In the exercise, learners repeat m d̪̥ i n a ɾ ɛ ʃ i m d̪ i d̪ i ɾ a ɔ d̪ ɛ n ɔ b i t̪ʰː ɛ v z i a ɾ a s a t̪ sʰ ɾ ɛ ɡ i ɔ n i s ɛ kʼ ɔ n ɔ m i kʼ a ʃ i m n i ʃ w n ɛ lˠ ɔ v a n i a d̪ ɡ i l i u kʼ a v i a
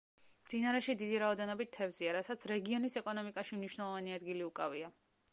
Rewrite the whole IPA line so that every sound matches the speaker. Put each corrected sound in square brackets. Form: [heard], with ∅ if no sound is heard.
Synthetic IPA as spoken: m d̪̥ i n a ɾ ɛ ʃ i [∅] d̪ i d̪ i ɾ a ɔ d̪ ɛ n ɔ b i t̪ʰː ɛ v z i a ɾ a s a t̪ sʰ ɾ ɛ ɡ i ɔ n i s ɛ kʼ ɔ n ɔ m i kʼ a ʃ i m n i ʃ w n ɛ lˠ ɔ v a n i a d̪ ɡ i l i u kʼ a v i a